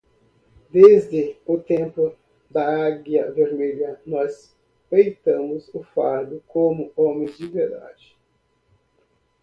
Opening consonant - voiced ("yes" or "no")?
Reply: yes